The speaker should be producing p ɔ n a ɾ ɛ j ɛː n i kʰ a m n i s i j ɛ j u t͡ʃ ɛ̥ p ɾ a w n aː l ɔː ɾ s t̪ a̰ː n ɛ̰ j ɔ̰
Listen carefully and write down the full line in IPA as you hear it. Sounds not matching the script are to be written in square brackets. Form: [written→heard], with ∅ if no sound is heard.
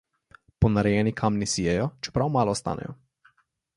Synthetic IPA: p ɔ n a ɾ ɛ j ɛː n i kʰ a m n i s i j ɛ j [u→ɔ] t͡ʃ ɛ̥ p ɾ a w [n→m] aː l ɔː [ɾ→∅] s t̪ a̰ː n ɛ̰ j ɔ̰